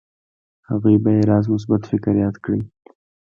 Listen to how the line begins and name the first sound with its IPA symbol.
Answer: h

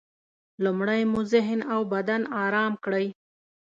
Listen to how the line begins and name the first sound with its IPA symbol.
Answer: l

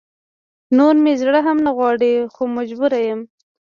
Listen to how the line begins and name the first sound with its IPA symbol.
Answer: n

